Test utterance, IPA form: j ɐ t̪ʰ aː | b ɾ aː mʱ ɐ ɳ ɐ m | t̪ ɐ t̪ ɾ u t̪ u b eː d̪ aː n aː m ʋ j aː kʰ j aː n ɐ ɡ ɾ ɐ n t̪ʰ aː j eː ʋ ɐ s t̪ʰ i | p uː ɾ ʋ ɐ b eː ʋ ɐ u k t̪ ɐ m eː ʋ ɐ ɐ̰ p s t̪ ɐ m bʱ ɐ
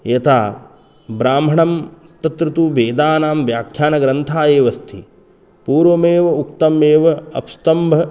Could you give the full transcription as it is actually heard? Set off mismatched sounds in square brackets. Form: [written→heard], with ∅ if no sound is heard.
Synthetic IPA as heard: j ɐ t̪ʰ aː | b ɾ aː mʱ ɐ ɳ ɐ m | t̪ ɐ t̪ ɾ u t̪ u b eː d̪ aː n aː m ʋ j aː kʰ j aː n ɐ ɡ ɾ ɐ n t̪ʰ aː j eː ʋ ɐ s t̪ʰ i | p uː ɾ ʋ ɐ [b→m] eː ʋ ɐ u k t̪ ɐ m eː ʋ ɐ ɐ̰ p s t̪ ɐ m bʱ ɐ